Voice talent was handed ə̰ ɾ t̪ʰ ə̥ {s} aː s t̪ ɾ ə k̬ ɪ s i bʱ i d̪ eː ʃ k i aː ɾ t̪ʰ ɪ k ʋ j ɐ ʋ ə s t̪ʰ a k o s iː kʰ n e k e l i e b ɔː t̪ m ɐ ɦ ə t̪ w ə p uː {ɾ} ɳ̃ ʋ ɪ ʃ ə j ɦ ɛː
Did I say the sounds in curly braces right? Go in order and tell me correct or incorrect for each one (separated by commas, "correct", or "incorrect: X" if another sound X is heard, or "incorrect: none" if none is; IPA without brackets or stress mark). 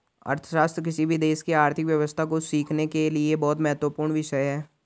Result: incorrect: ʃ, correct